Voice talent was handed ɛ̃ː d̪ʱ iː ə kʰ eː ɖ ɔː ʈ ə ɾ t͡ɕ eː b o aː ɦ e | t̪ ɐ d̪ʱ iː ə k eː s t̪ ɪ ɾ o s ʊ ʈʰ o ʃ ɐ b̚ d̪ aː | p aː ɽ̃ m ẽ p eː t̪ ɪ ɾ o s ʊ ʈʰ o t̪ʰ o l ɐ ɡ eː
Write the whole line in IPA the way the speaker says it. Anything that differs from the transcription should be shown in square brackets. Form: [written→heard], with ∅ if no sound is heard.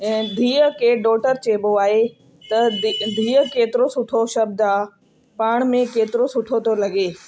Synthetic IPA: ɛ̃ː d̪ʱ iː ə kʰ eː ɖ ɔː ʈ ə ɾ t͡ɕ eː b o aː ɦ e | t̪ ɐ d̪ʱ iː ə k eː [s→∅] t̪ ɪ ɾ o s ʊ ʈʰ o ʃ ɐ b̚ d̪ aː | p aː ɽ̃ m ẽ [p→k] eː t̪ ɪ ɾ o s ʊ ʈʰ o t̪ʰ o l ɐ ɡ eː